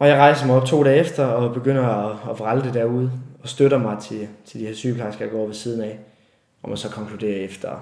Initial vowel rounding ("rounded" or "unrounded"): rounded